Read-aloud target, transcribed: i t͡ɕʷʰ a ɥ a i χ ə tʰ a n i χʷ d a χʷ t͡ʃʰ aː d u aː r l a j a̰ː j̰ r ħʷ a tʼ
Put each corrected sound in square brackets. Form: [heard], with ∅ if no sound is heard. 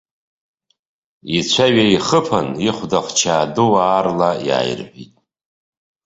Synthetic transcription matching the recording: i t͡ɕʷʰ a ɥ a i χ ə [pʰ] a n i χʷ d a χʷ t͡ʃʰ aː d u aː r l a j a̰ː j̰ r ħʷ [i] tʼ